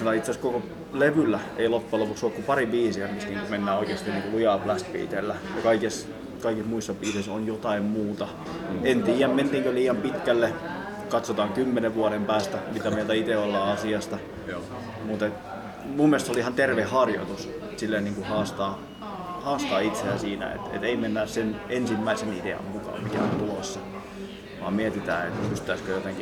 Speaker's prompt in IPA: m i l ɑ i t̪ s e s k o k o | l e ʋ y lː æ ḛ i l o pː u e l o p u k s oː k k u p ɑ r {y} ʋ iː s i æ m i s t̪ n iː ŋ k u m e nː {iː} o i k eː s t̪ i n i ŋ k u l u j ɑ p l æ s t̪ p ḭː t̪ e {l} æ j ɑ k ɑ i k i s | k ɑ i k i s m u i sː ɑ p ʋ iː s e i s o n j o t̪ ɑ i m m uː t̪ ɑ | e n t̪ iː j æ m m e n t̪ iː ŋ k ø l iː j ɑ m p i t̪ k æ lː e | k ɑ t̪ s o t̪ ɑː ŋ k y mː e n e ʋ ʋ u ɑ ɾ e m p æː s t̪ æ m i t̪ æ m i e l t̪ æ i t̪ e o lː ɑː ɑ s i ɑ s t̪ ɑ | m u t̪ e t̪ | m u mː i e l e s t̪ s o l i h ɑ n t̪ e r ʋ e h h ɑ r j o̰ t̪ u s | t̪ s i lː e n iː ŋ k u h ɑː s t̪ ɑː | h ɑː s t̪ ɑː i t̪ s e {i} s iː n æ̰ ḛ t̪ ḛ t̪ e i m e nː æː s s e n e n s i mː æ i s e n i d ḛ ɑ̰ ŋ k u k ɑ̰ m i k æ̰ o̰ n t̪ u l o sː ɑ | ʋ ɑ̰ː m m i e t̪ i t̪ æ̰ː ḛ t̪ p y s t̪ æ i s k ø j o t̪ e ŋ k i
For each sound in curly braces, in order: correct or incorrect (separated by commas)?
incorrect, incorrect, incorrect, incorrect